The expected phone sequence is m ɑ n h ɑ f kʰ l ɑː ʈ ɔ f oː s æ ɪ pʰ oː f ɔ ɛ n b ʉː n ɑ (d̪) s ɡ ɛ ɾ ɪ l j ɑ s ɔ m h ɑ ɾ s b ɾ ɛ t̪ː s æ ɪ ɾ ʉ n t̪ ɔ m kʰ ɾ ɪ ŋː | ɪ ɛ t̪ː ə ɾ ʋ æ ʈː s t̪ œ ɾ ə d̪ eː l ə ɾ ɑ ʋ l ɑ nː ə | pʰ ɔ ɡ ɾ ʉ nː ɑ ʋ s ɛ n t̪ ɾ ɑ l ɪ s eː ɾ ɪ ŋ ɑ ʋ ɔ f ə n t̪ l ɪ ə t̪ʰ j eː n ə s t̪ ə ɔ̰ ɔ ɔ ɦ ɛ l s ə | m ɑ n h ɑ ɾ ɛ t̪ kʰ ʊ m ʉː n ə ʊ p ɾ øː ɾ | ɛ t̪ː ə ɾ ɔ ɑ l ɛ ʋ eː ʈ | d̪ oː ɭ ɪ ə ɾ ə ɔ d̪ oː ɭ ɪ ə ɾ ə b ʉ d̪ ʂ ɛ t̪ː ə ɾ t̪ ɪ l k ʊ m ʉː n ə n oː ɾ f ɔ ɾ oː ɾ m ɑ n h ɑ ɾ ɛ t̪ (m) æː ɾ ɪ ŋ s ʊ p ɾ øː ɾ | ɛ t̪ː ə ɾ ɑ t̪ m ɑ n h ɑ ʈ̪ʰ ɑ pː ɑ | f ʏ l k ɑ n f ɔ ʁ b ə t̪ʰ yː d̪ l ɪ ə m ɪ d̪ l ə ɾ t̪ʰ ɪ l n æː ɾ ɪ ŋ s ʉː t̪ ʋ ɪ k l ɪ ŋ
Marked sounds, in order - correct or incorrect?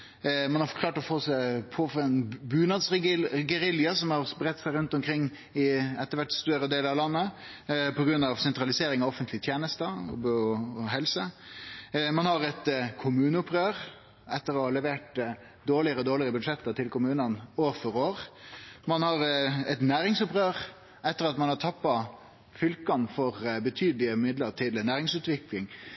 correct, incorrect

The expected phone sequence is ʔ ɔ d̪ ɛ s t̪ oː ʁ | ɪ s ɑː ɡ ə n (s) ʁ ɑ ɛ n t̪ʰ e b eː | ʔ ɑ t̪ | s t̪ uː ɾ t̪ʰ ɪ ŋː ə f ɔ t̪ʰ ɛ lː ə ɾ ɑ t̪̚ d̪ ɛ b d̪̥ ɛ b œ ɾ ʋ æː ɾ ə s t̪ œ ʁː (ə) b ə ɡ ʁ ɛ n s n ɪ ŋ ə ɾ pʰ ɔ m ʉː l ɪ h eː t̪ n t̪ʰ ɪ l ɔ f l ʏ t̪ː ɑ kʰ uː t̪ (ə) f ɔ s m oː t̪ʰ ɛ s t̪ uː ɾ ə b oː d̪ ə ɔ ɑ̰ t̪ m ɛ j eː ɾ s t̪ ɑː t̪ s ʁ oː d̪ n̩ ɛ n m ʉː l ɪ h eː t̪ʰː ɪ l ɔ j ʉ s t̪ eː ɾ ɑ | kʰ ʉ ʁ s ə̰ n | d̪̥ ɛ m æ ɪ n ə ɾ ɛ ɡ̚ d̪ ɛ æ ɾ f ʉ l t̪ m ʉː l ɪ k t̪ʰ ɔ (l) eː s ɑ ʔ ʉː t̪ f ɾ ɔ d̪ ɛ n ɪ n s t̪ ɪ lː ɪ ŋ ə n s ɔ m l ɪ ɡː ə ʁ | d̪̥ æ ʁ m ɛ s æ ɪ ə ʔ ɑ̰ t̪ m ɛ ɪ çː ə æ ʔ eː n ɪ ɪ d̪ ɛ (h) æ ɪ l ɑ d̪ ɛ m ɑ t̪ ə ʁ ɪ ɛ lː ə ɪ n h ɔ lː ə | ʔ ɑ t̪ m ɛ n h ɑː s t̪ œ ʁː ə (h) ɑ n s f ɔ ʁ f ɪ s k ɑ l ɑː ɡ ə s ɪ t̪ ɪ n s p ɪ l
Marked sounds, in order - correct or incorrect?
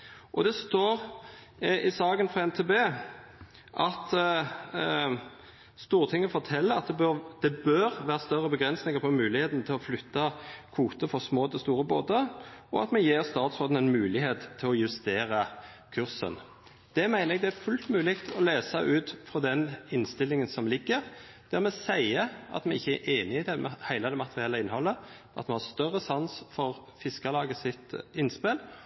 incorrect, correct, correct, correct, correct, incorrect

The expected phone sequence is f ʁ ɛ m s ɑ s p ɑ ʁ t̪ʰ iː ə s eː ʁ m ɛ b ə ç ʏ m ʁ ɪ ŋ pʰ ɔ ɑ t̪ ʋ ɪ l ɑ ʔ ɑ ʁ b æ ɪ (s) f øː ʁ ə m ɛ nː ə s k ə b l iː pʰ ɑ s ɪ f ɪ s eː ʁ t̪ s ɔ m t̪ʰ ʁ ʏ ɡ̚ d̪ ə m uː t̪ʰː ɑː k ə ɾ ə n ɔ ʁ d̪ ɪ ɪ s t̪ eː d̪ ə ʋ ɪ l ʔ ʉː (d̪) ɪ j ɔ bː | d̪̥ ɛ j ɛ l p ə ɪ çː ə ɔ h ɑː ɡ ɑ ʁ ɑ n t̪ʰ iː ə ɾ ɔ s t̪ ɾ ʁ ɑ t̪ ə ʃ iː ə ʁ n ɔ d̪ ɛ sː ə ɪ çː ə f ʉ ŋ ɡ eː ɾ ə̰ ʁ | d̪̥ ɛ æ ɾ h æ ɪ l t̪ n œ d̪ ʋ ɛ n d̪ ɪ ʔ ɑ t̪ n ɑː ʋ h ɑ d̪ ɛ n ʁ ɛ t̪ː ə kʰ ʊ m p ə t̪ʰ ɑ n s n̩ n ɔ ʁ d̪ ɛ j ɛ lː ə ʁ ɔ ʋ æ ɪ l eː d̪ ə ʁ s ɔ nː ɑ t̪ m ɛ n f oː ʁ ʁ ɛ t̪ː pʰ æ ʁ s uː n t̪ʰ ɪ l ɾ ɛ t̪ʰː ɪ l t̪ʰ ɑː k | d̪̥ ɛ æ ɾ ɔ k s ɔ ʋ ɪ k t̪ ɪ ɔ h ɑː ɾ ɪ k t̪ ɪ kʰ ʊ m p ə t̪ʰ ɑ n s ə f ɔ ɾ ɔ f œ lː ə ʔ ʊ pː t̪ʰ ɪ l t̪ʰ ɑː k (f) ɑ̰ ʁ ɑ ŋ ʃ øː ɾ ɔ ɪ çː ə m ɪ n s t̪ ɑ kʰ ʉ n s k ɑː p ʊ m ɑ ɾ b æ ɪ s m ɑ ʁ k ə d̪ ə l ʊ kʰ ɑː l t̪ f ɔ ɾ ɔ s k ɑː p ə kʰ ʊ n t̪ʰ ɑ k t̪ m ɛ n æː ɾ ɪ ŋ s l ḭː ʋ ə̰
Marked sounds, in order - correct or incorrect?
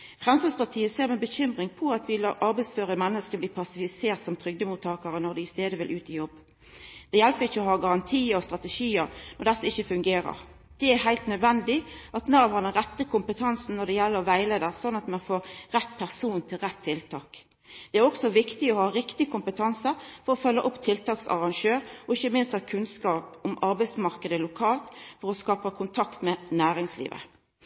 correct, incorrect, incorrect

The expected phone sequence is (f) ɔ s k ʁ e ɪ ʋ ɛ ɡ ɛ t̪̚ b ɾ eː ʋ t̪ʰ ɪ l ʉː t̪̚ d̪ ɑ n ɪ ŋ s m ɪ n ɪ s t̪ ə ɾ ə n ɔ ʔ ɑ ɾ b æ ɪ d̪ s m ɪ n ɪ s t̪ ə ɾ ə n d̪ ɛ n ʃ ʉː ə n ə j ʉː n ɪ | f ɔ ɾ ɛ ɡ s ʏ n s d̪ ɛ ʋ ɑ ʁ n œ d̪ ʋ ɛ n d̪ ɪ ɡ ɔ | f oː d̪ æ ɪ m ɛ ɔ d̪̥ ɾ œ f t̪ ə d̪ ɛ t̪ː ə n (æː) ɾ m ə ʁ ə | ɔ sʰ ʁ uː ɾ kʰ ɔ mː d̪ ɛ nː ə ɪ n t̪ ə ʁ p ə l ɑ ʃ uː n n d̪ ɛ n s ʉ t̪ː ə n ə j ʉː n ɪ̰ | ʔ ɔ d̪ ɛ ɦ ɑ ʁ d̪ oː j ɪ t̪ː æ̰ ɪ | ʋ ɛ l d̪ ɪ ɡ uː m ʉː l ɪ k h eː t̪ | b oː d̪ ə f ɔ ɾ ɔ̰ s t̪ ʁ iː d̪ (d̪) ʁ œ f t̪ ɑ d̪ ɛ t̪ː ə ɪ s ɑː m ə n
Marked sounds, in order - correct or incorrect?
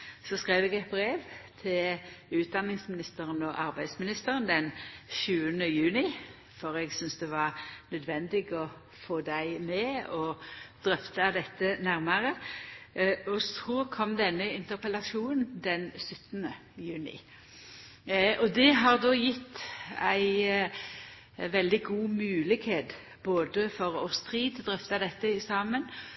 incorrect, incorrect, correct

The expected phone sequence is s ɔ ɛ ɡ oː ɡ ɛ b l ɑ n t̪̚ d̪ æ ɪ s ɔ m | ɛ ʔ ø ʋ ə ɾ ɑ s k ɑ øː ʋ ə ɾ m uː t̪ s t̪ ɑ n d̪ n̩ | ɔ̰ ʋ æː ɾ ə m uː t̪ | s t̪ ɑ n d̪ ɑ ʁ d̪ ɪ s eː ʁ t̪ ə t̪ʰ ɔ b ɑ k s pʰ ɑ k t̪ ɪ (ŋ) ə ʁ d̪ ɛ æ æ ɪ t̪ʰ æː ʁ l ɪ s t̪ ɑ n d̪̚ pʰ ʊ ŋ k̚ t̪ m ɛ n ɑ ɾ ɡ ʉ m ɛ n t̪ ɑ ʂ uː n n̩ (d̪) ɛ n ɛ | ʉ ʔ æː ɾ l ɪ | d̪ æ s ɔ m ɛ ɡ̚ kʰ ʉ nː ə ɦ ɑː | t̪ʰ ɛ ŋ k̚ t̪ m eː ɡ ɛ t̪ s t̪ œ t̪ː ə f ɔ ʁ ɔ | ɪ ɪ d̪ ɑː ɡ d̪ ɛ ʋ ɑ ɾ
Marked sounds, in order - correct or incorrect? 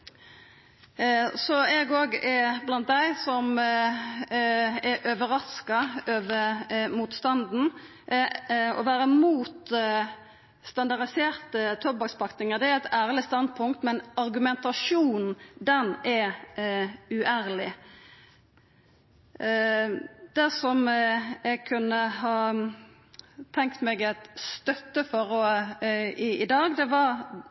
correct, correct

